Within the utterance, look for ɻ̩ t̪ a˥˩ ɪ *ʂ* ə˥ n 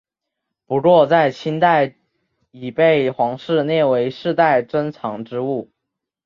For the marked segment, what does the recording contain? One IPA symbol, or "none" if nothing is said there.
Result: ʈ͡ʂ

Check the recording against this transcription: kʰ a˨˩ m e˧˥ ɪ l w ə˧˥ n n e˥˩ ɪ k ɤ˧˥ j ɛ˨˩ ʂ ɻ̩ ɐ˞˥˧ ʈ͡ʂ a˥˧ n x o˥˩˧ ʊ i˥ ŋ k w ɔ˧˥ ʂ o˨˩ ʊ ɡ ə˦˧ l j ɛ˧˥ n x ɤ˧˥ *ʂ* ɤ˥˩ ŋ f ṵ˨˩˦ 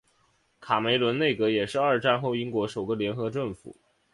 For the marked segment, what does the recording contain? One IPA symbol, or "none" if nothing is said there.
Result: ʈ͡ʂ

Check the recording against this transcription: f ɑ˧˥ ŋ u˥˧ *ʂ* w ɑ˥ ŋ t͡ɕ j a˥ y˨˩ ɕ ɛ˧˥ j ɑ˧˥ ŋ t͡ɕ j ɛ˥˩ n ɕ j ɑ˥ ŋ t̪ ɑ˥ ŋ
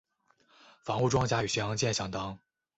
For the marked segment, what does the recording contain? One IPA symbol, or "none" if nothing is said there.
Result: ʈ͡ʂ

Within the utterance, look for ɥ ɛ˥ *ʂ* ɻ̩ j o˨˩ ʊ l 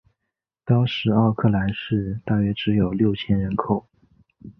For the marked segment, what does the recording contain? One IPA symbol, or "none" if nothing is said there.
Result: ʈ͡ʂ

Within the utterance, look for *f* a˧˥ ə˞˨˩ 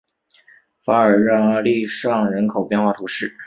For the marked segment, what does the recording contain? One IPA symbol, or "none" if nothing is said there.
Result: f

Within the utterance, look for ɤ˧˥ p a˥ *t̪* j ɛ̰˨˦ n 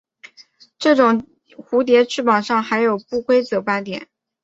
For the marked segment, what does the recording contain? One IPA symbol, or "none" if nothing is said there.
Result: t̪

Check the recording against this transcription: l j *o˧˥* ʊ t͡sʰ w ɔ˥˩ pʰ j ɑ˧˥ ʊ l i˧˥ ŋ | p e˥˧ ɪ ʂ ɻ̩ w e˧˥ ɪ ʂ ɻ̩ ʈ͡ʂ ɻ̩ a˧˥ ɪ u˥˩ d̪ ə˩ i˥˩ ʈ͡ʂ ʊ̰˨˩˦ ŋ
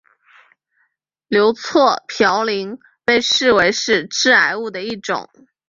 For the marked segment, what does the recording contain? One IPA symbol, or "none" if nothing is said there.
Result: o˧˥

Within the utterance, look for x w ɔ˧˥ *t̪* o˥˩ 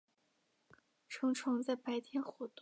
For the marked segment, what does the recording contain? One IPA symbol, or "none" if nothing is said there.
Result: t̪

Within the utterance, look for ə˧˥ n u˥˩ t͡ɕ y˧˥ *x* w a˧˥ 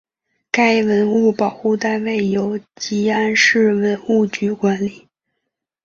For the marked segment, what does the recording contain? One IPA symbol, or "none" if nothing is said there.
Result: k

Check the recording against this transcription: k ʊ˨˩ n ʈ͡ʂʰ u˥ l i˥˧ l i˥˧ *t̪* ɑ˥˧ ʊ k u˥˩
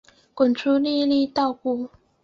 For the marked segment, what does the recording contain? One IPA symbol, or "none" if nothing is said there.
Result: t̪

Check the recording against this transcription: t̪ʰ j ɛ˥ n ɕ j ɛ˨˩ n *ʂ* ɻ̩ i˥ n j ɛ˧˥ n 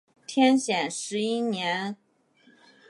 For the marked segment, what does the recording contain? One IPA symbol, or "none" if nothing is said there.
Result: ʂ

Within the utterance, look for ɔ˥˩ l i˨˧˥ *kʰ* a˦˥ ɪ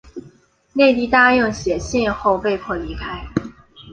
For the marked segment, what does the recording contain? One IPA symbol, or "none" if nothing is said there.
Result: kʰ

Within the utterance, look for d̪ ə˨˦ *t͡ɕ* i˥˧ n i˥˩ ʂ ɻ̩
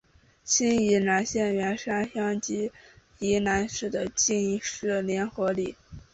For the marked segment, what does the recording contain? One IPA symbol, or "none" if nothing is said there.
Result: t͡ɕ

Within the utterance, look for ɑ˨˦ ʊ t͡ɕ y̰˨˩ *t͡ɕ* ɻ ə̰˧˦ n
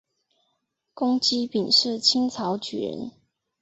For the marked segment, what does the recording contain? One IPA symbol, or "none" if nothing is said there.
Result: none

